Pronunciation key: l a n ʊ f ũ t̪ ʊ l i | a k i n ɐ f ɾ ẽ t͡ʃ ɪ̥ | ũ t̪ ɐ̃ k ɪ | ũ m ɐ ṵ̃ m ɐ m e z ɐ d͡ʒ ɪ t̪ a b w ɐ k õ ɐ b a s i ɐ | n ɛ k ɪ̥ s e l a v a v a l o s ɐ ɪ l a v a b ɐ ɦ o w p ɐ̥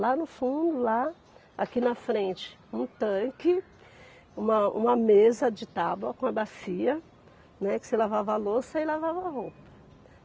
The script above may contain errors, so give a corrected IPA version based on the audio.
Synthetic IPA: l a n ʊ f ũ d̪ ʊ l a | a k i n ɐ f ɾ ẽ t͡ʃ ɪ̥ | ũ t̪ ɐ̃ k ɪ | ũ m ɐ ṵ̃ m ɐ m e z ɐ d͡ʒ ɪ t̪ a b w ɐ k õ ɐ b a s i ɐ | n ɛ k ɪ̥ s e l a v a v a l o s ɐ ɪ l a v a v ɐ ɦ o w p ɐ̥